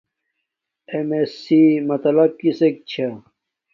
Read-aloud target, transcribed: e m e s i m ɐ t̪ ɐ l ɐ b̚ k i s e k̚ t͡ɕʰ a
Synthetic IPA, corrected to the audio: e m e s i m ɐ t̪ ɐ l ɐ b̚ k i s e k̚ t͡ɕʰ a

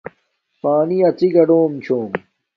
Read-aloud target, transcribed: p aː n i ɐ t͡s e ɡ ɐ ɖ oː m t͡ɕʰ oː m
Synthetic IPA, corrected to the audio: p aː n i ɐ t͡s i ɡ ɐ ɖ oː m t͡ɕʰ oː m

